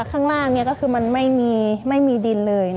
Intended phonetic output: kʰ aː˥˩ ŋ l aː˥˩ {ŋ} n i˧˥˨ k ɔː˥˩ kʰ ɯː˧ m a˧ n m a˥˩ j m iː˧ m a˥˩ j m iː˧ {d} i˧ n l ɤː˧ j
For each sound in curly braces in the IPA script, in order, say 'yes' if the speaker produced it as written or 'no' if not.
yes, yes

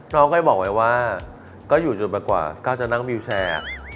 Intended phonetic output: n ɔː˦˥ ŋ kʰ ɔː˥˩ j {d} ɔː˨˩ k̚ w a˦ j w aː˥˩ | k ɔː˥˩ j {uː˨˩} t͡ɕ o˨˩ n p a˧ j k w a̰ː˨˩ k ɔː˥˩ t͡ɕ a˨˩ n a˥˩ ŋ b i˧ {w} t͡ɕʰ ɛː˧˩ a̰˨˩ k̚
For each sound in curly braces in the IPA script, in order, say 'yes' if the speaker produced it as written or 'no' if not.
no, yes, yes

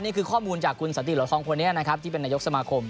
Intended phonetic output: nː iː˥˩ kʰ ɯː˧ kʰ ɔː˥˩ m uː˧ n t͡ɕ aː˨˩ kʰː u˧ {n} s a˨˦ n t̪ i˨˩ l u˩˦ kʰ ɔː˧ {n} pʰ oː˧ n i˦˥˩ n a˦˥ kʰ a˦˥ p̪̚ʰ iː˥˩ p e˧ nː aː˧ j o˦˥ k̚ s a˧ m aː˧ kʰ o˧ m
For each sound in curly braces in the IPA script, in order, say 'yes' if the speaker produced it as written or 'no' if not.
yes, no

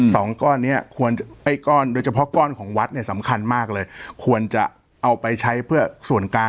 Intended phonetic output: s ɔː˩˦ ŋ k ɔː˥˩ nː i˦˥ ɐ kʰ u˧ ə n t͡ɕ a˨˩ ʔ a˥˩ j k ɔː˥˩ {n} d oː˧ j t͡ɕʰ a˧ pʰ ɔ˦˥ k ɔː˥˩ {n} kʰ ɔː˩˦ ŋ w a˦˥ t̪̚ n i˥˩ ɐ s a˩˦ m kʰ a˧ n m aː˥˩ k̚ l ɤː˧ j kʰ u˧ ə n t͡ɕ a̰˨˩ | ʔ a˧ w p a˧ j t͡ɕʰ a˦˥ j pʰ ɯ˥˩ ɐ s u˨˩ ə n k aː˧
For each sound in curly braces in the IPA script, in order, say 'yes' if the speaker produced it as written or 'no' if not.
yes, yes

